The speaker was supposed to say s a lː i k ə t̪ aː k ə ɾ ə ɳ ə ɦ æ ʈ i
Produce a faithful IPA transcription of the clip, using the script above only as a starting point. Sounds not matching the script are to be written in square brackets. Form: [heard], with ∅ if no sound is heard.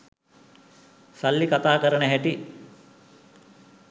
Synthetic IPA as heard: s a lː i k [a] t̪ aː k ə ɾ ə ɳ ə ɦ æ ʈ i